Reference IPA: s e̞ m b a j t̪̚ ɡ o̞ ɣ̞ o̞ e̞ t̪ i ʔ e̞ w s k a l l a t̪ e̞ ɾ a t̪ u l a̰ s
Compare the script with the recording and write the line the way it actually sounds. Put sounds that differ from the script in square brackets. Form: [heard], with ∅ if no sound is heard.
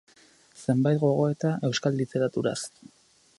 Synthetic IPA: s e̞ m b a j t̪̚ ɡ o̞ ɣ̞ o̞ e̞ t̪ [a] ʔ e̞ w s k a l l [i] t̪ e̞ ɾ a t̪ u [ɾ] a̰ s